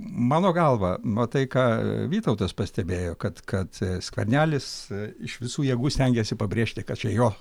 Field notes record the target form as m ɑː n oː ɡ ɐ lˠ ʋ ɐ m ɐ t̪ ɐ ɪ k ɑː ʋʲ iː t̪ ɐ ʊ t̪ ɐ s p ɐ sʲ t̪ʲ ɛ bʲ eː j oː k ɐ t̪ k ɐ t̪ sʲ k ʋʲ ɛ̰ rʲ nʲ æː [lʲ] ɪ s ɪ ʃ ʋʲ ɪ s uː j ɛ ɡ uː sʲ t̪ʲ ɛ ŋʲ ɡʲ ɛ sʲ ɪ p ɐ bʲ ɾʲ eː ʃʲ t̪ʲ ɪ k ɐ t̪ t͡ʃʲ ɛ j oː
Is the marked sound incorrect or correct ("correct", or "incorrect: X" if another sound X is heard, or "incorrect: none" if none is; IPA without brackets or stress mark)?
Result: correct